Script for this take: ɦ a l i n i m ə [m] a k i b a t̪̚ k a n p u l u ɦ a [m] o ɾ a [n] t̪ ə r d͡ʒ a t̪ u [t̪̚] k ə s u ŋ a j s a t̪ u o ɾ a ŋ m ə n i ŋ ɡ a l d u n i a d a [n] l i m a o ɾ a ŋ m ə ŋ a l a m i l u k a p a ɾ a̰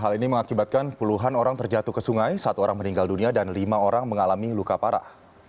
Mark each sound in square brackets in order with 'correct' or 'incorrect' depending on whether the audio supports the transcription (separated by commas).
incorrect, incorrect, incorrect, incorrect, correct